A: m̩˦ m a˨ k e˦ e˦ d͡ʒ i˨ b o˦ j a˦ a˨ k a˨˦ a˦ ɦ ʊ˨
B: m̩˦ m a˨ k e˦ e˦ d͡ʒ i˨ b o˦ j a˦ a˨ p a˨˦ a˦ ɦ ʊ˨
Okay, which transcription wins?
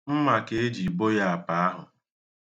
B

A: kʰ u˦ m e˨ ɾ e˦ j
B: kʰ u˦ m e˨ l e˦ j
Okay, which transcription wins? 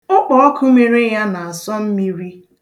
A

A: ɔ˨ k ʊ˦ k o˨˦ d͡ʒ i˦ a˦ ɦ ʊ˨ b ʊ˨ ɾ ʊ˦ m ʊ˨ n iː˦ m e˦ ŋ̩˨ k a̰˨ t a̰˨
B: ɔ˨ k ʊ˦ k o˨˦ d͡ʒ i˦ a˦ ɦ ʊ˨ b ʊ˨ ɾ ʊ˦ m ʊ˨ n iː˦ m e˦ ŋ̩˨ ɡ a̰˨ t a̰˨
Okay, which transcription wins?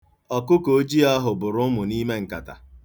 A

